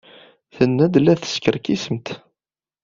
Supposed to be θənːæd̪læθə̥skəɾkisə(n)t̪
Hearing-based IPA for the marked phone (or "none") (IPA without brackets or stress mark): m